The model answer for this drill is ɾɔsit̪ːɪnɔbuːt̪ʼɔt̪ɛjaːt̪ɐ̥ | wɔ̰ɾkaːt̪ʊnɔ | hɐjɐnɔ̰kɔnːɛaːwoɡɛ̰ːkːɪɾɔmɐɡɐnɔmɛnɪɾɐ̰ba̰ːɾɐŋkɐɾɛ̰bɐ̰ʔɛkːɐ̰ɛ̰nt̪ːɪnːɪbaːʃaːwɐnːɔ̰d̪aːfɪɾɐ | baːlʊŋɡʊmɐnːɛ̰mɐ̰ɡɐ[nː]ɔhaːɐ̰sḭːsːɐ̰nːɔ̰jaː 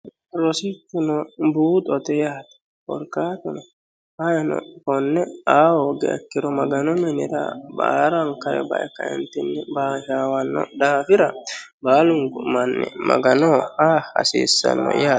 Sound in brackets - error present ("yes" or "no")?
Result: yes